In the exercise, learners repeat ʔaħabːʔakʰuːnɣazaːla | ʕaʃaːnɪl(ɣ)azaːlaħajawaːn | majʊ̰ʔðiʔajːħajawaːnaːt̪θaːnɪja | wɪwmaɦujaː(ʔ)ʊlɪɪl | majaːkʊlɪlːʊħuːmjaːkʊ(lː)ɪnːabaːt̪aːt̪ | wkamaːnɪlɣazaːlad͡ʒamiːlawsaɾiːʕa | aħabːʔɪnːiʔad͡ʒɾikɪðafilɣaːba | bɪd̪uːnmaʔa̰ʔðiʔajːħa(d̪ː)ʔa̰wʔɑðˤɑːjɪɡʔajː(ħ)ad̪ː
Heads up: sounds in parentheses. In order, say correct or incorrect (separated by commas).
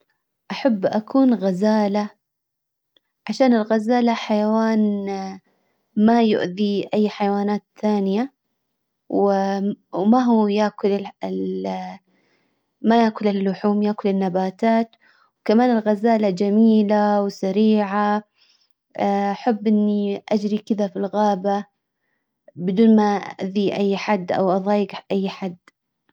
correct, incorrect, incorrect, correct, correct